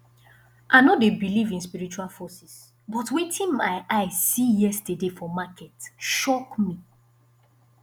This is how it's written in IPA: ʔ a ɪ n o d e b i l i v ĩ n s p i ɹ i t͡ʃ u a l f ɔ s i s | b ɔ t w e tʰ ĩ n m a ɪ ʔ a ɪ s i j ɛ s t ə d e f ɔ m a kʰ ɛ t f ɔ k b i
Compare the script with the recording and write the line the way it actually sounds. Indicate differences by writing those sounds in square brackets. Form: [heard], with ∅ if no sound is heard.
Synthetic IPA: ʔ a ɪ n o d e b i l i v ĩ n s p i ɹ i t͡ʃ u a l f ɔ s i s | b ɔ t w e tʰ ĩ n m a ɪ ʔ a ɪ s i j ɛ s t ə d e f ɔ m a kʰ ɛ t [ʃ] ɔ k [m] i